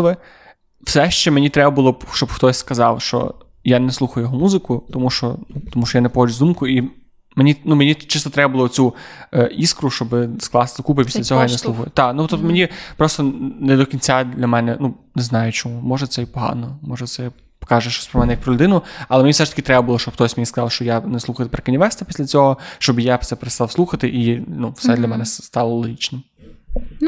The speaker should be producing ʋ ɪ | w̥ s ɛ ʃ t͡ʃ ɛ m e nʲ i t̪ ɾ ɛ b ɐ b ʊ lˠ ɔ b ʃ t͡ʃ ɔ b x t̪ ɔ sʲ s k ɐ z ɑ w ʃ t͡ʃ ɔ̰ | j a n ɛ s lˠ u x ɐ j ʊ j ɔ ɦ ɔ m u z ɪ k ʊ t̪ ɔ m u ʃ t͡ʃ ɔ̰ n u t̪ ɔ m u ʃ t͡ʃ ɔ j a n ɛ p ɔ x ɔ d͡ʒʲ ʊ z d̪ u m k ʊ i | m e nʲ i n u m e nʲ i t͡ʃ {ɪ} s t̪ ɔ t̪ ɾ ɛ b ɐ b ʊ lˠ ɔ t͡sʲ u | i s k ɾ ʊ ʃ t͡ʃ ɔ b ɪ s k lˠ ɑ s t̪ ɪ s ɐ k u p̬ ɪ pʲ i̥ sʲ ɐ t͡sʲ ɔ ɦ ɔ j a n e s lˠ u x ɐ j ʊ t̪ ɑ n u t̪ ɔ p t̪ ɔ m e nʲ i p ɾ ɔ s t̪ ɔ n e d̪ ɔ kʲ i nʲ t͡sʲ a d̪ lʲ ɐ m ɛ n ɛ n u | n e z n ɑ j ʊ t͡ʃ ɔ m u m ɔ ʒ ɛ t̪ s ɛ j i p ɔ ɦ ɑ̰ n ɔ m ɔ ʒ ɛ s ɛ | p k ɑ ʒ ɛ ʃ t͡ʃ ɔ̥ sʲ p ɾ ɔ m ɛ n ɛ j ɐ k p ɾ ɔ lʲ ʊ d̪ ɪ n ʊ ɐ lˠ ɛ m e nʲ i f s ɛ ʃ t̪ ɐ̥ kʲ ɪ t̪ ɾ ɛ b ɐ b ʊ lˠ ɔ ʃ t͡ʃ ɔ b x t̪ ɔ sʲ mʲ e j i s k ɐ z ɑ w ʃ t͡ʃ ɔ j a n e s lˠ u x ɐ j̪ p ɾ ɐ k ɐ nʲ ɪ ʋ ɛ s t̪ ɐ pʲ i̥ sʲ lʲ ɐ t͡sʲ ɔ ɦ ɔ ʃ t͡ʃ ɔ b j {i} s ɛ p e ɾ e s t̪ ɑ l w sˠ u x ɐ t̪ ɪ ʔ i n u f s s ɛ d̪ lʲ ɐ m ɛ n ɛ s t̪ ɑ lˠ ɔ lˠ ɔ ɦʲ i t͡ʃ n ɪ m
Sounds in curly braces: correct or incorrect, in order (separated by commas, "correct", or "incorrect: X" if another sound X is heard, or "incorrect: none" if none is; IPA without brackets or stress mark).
correct, incorrect: a